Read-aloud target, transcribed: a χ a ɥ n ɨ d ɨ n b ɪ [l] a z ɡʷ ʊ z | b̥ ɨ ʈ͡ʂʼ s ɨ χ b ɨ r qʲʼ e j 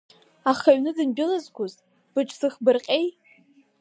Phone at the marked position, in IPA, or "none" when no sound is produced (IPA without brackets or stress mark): l